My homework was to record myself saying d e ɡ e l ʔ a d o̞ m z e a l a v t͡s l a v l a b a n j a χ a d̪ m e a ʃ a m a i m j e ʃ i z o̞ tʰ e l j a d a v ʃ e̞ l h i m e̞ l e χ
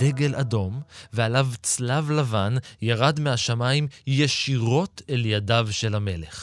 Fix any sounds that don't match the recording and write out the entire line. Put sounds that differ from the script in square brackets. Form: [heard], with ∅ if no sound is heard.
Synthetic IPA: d e ɡ e l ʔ a d o̞ m [v] e a l a v t͡s l a v l a [v] a n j a [ʁ] a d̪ m e a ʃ a m a i m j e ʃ i [ʁ] o̞ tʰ e l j a d a v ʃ e̞ l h [a] m e̞ l e χ